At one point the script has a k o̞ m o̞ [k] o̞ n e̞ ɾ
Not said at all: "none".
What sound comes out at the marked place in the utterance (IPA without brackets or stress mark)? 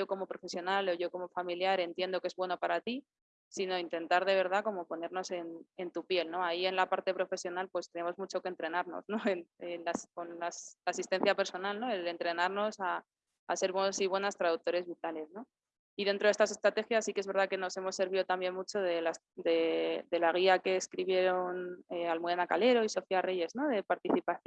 p